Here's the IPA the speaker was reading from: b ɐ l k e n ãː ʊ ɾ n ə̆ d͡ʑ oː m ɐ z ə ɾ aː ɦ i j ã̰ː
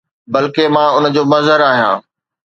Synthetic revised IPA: b ɐ l k e m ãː ʊ n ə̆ d͡ʑ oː m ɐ z ə ɾ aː ɦ i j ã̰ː